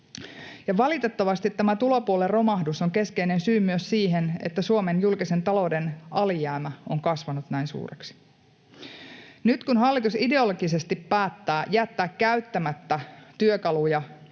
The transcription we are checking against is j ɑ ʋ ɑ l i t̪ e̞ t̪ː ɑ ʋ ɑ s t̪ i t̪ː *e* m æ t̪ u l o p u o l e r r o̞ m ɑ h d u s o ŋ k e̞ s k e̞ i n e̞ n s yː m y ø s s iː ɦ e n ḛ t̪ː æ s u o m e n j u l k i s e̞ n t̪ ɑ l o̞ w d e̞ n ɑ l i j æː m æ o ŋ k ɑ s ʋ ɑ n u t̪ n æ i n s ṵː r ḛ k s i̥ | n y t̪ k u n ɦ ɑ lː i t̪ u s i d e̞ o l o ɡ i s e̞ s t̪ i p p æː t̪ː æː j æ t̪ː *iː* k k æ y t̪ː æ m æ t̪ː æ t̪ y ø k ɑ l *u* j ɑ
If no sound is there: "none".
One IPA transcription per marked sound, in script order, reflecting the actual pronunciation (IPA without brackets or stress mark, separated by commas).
æ, æː, u